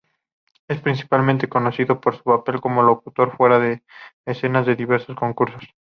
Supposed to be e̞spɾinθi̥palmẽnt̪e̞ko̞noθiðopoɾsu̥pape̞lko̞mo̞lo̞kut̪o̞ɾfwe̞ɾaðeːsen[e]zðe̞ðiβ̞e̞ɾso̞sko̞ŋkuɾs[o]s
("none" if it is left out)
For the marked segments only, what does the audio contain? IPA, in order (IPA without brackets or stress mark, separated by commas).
a, o